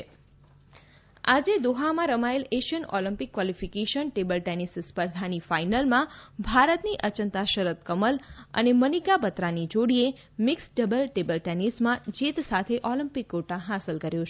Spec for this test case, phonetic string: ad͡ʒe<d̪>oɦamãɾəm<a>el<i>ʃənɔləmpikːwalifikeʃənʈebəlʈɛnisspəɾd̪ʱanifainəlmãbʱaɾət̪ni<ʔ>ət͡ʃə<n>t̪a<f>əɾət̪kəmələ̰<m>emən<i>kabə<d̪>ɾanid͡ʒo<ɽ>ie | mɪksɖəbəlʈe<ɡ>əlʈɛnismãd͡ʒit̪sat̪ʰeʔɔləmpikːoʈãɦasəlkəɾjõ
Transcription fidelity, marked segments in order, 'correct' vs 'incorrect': correct, correct, incorrect, correct, correct, incorrect, incorrect, correct, incorrect, correct, incorrect

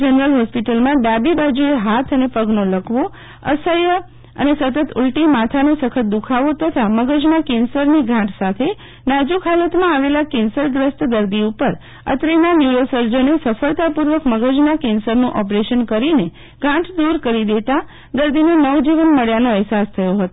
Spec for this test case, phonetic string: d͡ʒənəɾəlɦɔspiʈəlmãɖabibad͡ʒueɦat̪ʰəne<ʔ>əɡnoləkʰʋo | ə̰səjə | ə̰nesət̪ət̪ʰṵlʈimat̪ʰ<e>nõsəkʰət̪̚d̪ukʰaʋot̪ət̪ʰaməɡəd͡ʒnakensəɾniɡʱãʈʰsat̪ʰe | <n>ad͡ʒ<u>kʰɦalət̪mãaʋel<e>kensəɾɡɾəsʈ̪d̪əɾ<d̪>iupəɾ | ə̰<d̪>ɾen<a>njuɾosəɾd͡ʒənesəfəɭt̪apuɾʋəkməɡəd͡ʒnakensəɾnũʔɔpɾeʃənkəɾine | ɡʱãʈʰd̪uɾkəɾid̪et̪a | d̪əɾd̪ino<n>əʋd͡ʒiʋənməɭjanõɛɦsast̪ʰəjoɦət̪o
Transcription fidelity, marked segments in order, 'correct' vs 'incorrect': incorrect, incorrect, correct, correct, incorrect, correct, incorrect, correct, correct

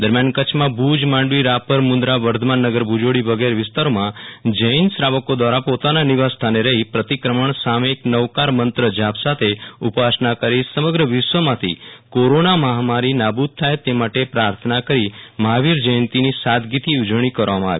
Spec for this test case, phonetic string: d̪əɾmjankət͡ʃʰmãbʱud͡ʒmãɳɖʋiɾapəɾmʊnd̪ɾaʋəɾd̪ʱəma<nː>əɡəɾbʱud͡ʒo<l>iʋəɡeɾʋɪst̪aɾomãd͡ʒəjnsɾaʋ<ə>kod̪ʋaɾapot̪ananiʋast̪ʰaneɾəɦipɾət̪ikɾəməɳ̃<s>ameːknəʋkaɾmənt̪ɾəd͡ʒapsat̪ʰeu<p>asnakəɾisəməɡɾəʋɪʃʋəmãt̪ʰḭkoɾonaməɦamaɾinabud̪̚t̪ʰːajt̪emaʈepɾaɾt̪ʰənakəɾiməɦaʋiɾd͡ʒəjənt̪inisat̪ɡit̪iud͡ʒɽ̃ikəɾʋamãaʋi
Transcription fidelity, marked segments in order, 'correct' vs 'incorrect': correct, incorrect, correct, correct, correct

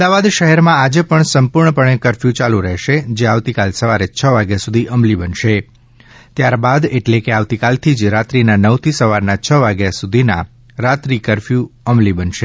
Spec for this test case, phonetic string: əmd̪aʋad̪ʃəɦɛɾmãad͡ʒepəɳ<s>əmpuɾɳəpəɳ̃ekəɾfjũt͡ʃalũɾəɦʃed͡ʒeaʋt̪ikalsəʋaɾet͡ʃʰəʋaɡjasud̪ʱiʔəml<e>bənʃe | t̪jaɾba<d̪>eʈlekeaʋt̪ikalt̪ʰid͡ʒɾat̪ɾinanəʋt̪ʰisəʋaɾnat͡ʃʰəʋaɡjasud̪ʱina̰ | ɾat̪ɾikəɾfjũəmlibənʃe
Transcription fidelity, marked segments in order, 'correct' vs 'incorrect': correct, incorrect, correct

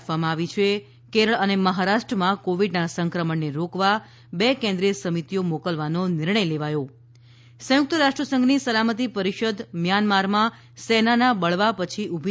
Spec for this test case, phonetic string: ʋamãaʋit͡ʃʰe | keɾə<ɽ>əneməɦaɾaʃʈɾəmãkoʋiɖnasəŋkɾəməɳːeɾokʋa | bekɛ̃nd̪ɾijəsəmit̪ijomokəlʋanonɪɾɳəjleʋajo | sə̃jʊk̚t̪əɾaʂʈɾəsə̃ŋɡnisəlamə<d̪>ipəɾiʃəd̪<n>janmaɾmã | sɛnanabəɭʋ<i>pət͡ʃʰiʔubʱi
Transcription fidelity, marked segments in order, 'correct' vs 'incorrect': incorrect, incorrect, incorrect, incorrect

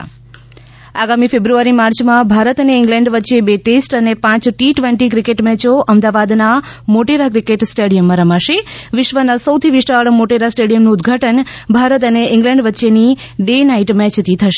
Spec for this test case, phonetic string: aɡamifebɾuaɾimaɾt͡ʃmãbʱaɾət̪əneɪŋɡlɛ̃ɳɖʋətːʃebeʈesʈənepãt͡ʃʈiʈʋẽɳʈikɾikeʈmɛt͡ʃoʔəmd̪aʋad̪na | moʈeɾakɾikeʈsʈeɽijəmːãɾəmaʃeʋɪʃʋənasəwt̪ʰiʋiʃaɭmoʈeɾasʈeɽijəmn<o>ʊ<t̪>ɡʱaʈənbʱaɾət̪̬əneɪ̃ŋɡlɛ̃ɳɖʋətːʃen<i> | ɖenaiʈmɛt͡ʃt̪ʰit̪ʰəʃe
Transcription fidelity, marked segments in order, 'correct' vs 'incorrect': incorrect, incorrect, correct

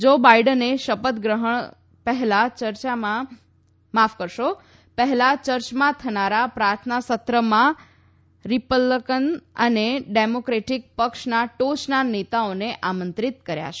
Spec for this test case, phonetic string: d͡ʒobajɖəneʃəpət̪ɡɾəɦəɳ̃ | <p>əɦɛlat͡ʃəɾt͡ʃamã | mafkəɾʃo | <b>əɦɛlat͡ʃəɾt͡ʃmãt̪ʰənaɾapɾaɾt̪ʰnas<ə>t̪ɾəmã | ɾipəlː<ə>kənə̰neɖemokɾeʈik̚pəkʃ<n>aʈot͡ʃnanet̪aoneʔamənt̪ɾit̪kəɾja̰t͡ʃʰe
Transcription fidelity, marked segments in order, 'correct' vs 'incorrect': correct, incorrect, correct, correct, correct

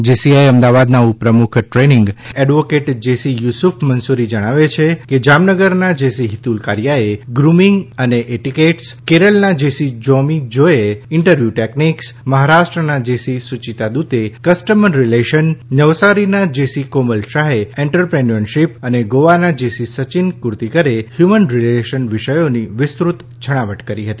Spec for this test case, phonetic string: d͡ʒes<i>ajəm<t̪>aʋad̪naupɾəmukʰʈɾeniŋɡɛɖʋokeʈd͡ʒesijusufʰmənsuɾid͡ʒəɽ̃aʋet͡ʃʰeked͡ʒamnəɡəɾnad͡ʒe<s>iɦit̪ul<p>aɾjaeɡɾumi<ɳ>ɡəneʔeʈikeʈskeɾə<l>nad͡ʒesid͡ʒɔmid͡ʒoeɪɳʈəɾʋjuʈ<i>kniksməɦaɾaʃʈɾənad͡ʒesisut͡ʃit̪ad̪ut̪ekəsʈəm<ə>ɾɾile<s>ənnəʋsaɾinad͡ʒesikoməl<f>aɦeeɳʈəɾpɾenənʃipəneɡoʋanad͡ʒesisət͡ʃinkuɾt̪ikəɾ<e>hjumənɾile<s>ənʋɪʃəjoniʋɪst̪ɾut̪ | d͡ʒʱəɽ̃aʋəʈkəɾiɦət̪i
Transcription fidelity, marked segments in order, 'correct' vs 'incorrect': correct, incorrect, correct, incorrect, incorrect, correct, incorrect, correct, incorrect, incorrect, correct, incorrect

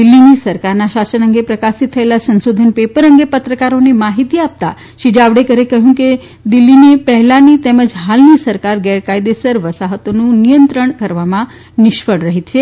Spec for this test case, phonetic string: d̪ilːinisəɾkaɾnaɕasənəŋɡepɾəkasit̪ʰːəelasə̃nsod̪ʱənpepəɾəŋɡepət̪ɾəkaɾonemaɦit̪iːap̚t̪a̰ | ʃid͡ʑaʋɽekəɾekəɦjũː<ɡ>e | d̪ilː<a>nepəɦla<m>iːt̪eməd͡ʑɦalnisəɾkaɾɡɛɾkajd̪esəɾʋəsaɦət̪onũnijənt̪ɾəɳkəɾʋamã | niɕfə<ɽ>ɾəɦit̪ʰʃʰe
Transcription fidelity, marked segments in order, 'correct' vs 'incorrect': incorrect, incorrect, incorrect, correct

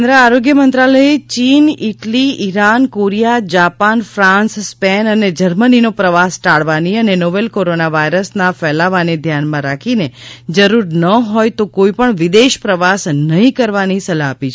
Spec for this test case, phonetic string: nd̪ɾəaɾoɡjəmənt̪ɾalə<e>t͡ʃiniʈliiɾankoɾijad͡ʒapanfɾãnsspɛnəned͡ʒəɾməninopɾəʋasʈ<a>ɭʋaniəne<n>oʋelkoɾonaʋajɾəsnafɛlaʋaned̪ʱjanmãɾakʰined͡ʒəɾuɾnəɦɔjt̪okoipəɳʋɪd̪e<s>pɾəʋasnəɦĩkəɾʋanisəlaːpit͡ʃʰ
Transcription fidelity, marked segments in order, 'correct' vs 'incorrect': correct, correct, correct, incorrect

